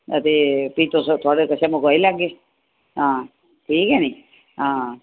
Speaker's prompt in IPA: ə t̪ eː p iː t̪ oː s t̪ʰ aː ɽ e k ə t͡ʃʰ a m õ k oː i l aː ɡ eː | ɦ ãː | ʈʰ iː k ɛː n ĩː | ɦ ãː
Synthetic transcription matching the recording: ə t̪ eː p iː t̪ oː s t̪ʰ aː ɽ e k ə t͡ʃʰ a m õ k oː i l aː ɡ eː | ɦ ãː | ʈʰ iː k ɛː n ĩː | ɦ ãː